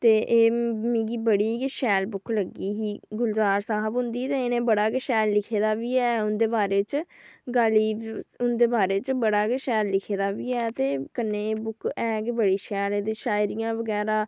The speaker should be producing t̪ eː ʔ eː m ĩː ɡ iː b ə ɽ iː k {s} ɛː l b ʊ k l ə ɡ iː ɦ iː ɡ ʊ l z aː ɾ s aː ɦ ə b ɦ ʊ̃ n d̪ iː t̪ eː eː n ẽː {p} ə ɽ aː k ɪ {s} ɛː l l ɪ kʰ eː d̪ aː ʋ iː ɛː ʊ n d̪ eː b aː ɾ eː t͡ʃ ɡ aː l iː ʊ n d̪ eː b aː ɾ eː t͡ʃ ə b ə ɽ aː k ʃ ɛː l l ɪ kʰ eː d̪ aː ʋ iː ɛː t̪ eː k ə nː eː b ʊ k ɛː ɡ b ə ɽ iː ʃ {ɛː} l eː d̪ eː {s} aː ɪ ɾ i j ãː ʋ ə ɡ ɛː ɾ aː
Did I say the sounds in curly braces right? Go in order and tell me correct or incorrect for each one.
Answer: incorrect: ʃ, incorrect: b, incorrect: ʃ, correct, incorrect: ʃ

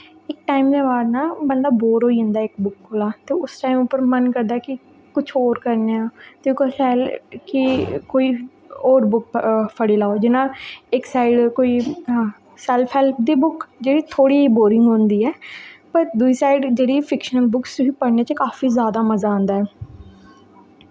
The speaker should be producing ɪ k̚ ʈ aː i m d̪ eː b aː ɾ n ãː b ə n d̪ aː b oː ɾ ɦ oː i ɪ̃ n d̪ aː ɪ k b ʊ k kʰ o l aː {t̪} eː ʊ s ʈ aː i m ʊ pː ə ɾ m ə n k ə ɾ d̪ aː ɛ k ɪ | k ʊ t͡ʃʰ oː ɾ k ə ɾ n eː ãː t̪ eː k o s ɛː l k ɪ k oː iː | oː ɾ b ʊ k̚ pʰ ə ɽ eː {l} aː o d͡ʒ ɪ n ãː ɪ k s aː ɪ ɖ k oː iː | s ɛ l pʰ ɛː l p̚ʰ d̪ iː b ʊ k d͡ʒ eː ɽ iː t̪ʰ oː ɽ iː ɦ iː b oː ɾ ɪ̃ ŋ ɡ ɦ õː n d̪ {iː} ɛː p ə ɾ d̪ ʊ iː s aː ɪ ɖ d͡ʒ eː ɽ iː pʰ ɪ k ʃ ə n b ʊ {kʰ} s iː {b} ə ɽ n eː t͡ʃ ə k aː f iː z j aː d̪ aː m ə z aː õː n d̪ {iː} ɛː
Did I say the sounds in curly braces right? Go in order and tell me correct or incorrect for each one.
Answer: correct, correct, correct, incorrect: k, incorrect: p, incorrect: aː

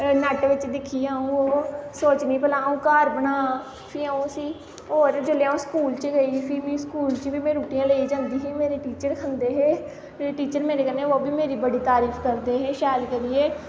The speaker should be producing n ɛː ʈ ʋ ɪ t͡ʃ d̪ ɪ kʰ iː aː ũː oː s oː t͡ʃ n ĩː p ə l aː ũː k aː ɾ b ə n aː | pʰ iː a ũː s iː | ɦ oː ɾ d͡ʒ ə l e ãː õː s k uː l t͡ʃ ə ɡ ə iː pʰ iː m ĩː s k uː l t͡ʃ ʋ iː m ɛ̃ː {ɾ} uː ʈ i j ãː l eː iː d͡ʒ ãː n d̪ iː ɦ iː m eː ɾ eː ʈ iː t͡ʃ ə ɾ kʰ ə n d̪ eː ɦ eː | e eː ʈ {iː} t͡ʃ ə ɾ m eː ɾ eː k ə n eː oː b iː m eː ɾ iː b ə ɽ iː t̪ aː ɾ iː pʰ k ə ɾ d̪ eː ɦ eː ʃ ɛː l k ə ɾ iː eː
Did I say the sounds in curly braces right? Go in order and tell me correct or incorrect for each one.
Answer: correct, correct

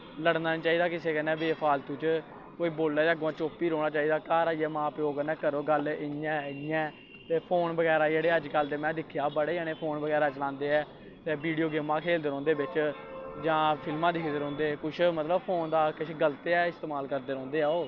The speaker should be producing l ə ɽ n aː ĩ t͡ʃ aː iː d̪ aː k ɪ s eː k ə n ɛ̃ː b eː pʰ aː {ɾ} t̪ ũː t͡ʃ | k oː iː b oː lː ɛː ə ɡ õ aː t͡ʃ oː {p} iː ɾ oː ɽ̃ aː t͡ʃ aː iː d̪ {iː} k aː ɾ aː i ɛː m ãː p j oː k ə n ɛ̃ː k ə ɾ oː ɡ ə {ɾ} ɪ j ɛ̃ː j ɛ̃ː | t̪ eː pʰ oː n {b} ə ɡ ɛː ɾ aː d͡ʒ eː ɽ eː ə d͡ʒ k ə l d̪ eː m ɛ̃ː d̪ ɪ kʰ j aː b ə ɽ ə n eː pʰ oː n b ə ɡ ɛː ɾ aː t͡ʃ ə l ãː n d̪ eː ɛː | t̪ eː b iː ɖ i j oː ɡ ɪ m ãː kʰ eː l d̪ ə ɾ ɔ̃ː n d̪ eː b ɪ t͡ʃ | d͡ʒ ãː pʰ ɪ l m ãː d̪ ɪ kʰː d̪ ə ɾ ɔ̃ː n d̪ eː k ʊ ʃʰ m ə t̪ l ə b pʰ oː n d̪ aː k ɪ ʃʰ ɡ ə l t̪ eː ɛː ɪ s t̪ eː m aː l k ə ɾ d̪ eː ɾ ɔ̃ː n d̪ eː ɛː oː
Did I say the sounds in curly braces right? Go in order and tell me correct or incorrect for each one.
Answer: incorrect: l, correct, incorrect: aː, incorrect: l, correct

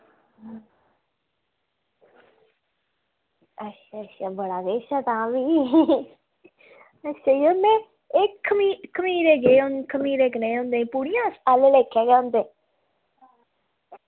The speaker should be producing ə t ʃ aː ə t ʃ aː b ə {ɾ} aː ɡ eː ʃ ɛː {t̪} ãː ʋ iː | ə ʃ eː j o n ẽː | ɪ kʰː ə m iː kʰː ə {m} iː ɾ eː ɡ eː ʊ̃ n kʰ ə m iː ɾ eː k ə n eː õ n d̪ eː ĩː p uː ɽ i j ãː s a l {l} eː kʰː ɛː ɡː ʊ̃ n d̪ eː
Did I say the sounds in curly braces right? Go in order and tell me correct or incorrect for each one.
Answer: incorrect: ɽ, correct, correct, correct

